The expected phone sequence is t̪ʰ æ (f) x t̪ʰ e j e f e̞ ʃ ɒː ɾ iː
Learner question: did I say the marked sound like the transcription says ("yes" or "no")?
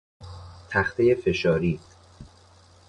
no